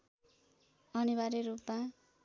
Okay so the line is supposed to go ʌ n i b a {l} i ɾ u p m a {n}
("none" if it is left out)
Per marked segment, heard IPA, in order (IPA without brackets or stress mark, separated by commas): ɾ, none